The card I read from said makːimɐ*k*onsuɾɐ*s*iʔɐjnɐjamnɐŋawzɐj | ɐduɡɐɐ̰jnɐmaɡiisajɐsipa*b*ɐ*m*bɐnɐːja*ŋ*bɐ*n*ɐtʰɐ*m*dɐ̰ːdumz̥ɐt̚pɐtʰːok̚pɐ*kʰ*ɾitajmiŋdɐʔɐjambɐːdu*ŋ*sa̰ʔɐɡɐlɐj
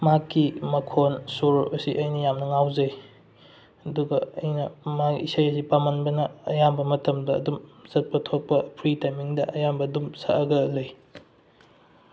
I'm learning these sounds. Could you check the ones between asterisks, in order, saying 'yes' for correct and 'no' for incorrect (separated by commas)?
no, yes, no, no, no, no, yes, no, no